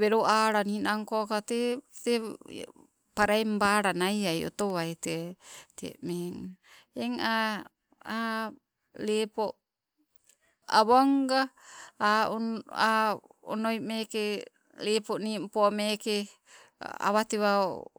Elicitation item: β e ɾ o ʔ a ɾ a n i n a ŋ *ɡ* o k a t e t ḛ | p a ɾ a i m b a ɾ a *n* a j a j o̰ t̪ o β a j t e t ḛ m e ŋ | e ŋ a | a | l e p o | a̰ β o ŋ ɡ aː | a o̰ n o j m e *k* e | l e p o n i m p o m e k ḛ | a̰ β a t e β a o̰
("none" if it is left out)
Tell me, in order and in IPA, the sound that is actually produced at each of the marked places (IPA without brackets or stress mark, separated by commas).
k, n, k